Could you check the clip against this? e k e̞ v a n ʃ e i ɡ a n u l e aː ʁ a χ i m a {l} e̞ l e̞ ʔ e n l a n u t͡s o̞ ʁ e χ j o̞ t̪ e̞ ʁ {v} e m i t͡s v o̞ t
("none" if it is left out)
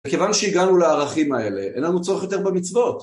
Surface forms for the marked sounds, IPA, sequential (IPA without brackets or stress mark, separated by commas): none, b